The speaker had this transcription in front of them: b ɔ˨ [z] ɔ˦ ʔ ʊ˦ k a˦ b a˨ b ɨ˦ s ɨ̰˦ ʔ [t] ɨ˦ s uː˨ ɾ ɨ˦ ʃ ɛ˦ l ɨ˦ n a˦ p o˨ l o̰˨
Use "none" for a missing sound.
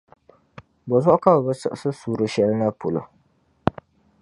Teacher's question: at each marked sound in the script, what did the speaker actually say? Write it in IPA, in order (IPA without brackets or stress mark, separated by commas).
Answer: z, s